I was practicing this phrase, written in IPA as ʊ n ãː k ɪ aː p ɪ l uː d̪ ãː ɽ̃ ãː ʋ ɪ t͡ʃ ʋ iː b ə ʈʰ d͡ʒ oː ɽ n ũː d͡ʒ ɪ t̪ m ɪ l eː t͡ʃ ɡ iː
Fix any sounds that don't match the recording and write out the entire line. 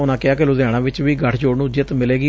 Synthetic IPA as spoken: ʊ n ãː k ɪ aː k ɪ l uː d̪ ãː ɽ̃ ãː ʋ ɪ t͡ʃ ʋ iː ɡ ə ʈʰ d͡ʒ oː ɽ n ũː d͡ʒ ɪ t̪ m ɪ l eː ɡ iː

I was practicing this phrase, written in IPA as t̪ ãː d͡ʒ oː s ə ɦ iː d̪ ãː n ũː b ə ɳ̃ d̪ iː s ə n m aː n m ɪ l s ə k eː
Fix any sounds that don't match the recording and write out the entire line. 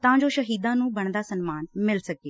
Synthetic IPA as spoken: t̪ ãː d͡ʒ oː ʃ ə ɦ iː d̪ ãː n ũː b ə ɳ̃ d̪ aː s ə n m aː n m ɪ l s ə k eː

